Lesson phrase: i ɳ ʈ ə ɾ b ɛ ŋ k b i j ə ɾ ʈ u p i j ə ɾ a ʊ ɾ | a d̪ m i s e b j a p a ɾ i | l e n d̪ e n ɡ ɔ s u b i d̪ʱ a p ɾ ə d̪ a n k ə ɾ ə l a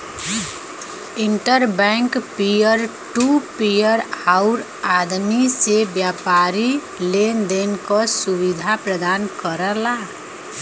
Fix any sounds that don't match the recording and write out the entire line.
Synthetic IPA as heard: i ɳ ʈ ə ɾ b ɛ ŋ k p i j ə ɾ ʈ u p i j ə ɾ a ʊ ɾ | a d̪ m i s e b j a p a ɾ i | l e n d̪ e n k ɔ s u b i d̪ʱ a p ɾ ə d̪ a n k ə ɾ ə l a